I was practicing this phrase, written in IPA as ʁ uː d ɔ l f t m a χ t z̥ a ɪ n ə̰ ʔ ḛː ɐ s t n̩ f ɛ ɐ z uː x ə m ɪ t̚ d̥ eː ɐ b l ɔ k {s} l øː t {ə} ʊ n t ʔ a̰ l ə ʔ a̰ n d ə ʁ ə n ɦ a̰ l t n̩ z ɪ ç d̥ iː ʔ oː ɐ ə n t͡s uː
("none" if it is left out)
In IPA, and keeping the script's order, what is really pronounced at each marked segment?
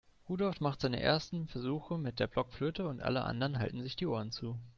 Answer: f, ə

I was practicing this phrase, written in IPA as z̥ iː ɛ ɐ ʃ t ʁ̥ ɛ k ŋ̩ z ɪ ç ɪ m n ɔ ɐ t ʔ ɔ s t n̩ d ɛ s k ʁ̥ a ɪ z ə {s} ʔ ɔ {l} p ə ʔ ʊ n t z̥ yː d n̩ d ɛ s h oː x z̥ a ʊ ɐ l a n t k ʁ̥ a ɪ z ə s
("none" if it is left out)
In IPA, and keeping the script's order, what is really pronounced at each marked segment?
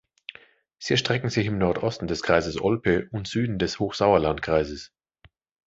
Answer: s, l

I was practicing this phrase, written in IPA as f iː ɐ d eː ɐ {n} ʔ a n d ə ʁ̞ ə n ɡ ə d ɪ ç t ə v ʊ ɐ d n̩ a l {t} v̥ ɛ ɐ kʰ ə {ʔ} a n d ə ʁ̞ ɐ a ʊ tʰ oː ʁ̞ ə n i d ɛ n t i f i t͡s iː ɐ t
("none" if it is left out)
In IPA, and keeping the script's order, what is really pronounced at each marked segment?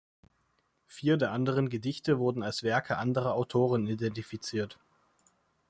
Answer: none, s, ʔ

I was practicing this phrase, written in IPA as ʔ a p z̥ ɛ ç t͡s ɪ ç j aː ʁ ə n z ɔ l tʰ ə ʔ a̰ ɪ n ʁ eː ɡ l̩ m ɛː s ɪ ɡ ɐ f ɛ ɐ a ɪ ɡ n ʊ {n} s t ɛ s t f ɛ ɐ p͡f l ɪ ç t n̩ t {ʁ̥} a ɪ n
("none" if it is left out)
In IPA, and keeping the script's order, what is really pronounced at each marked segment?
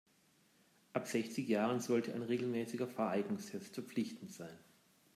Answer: ŋ, z̥

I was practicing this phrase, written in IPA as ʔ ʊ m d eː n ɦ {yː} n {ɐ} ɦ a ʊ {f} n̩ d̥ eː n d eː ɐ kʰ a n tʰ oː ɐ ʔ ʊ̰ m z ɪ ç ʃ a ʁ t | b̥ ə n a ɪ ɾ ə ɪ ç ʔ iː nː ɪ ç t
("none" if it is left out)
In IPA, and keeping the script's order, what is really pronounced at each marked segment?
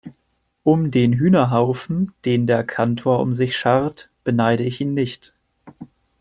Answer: yː, ɐ, f

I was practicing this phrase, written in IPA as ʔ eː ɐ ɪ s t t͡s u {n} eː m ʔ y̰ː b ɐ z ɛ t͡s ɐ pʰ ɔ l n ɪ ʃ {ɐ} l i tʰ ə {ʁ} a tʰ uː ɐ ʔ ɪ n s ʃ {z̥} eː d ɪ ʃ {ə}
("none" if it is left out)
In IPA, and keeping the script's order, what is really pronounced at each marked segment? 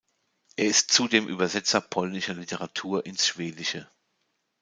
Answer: d, ɐ, ʁ, v̥, ə

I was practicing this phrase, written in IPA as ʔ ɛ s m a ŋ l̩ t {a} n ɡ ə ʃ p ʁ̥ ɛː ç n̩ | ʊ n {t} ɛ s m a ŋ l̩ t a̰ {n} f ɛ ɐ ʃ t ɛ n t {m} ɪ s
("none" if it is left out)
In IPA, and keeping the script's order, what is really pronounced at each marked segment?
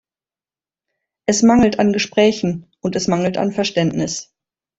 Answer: a, t, n, n

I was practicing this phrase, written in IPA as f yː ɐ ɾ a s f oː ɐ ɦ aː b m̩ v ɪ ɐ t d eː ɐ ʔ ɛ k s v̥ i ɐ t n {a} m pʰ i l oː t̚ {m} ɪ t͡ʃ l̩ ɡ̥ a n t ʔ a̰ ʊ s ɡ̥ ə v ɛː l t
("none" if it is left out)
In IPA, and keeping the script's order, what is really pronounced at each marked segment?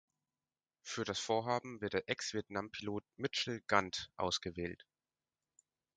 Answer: a, m

